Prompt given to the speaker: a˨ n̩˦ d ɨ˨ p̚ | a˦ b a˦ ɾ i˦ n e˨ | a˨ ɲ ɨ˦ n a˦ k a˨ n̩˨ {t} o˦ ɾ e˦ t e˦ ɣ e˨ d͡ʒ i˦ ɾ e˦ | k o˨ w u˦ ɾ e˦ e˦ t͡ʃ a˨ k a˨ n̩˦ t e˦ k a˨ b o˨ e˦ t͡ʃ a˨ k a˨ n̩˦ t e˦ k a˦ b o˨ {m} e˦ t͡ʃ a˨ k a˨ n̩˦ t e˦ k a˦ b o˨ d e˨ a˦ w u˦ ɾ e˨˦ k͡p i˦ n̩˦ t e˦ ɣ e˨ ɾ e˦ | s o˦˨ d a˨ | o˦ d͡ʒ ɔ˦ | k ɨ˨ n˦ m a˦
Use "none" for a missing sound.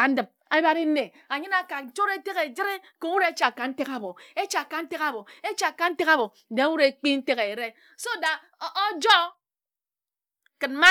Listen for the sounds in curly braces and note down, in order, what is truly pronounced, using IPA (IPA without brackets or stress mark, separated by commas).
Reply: t͡ʃ, none